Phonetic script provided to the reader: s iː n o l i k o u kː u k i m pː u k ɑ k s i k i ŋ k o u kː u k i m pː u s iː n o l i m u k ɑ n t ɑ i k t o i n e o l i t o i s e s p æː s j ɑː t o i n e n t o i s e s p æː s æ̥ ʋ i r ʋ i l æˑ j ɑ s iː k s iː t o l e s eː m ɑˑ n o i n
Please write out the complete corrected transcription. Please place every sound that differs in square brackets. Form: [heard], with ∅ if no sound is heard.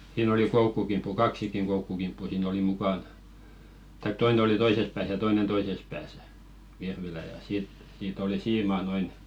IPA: s iː n o l i k o u kː u k i m pː u k ɑ k s i k i ŋ k o u kː u k i m pː u s iː n o l i m u k ɑ n t ɑ i k t o i n e o l i t o i s e s p æː s j [ɑ] t o i n e n t o i s e s p æː s æ̥ ʋ i r ʋ i l æˑ j ɑ s iː [t] s iː t o l [i] s [iː] m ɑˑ n o i n